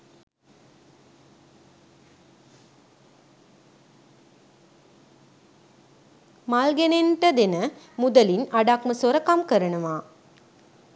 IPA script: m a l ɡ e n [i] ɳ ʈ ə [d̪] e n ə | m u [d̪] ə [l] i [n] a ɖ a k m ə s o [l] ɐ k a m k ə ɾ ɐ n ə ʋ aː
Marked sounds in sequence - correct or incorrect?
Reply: incorrect, correct, correct, correct, correct, incorrect

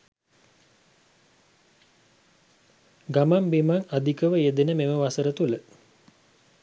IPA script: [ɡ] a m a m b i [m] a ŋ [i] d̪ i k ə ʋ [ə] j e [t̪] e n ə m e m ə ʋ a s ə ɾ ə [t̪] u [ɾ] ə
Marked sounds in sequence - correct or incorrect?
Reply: correct, correct, incorrect, correct, incorrect, correct, incorrect

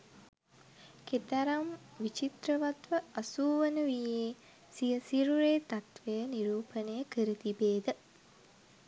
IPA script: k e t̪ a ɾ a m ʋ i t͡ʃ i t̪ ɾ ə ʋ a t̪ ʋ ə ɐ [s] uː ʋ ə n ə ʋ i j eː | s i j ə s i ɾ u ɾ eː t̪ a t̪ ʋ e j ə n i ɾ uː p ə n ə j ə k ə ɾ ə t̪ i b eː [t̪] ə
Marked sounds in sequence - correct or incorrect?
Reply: correct, incorrect

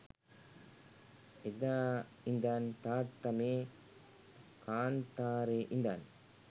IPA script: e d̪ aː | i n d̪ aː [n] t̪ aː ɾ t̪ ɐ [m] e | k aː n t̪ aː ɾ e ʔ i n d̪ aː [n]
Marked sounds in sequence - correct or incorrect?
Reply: correct, correct, correct

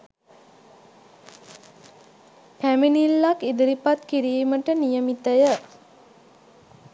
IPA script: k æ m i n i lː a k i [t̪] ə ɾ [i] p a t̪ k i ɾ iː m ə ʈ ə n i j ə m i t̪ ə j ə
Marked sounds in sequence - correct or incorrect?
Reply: incorrect, correct

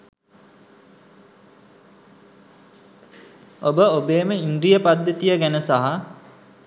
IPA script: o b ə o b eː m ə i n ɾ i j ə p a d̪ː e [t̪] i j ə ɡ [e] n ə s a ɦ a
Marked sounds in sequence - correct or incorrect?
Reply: correct, incorrect

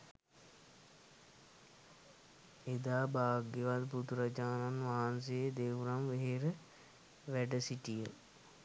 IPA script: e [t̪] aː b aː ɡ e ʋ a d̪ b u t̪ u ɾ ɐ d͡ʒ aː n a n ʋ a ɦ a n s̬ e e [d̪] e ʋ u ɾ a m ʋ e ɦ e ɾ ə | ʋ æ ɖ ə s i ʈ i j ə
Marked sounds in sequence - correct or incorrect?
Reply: incorrect, correct

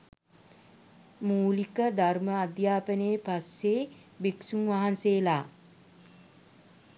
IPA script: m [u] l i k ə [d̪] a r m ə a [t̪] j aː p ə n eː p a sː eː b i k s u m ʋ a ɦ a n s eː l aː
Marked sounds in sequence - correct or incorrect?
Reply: incorrect, correct, incorrect

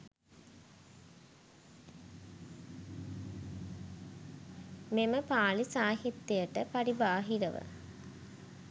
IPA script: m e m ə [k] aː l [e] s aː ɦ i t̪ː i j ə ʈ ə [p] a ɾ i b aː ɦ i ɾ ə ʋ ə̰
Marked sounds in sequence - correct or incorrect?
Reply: incorrect, incorrect, correct

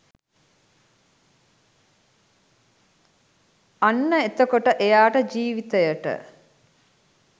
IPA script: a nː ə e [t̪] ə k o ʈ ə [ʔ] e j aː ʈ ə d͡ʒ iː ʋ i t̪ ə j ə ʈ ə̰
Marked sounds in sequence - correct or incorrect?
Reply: correct, correct

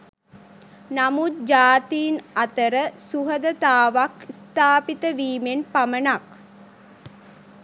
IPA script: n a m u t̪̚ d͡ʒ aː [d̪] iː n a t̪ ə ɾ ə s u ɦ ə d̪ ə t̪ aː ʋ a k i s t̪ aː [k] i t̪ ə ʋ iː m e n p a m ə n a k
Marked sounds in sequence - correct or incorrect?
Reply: incorrect, incorrect

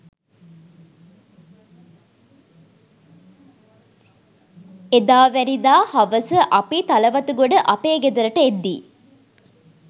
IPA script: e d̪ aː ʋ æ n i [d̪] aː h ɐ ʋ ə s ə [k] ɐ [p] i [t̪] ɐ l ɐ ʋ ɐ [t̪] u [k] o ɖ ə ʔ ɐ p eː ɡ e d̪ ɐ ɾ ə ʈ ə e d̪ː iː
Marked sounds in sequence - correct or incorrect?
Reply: correct, incorrect, correct, correct, correct, incorrect

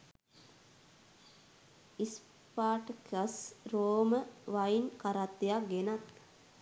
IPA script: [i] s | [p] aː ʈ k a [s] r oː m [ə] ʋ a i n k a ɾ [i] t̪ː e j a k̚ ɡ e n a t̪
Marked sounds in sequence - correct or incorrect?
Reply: correct, correct, correct, correct, incorrect

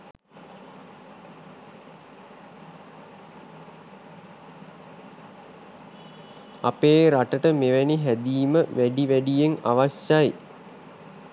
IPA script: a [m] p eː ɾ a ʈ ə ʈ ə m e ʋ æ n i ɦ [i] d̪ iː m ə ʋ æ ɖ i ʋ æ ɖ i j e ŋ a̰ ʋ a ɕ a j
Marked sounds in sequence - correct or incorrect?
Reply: incorrect, incorrect

